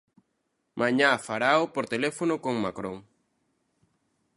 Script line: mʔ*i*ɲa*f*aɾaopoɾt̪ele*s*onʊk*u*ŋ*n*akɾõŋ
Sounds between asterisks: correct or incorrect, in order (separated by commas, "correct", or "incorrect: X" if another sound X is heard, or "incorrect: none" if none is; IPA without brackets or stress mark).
incorrect: a, correct, incorrect: f, incorrect: o, incorrect: m